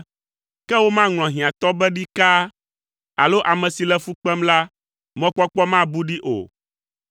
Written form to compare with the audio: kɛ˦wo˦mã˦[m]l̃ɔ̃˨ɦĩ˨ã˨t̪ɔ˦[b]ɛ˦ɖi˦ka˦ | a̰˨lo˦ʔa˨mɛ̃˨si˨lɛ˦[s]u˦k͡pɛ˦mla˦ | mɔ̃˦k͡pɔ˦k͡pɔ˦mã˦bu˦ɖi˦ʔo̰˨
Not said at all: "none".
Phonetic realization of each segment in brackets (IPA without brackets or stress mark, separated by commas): ŋ, b, f